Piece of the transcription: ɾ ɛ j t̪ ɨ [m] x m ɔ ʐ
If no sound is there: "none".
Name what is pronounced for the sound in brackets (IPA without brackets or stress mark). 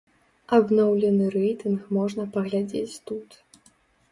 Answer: n